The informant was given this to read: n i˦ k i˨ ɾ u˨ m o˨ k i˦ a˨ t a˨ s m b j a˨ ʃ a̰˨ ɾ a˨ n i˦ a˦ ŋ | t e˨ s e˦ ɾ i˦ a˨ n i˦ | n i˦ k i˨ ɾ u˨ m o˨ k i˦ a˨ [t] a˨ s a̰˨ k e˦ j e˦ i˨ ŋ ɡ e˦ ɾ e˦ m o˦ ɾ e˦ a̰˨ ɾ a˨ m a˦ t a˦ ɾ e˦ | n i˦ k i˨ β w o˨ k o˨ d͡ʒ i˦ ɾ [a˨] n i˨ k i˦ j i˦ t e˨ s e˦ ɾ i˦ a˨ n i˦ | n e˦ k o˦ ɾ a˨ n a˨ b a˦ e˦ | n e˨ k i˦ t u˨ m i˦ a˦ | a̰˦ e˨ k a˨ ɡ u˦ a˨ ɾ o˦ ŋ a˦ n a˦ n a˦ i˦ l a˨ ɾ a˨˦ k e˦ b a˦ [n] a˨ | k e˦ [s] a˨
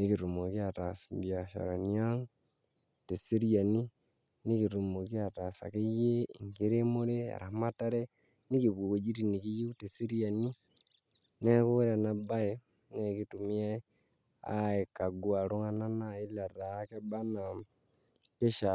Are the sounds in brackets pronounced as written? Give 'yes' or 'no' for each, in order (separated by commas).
yes, no, yes, no